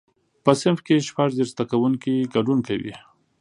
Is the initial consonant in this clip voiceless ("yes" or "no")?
yes